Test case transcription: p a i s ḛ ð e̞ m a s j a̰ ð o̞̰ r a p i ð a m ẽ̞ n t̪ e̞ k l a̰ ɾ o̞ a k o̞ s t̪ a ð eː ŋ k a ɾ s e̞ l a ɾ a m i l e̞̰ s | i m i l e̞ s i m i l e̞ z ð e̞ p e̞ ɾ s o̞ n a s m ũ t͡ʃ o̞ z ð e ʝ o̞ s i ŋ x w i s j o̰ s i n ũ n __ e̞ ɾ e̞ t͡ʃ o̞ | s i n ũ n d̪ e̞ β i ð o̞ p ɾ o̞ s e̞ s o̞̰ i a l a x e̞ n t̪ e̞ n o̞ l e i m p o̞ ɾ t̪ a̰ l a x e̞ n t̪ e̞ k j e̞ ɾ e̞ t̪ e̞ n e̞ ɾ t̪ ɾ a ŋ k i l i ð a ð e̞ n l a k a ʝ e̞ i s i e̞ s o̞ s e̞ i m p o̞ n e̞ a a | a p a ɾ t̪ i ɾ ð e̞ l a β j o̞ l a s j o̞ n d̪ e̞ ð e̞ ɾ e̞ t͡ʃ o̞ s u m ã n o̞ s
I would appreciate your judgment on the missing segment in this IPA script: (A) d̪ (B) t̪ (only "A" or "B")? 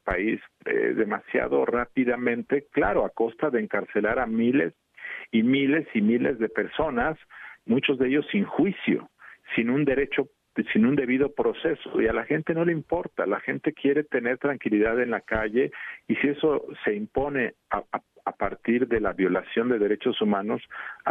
A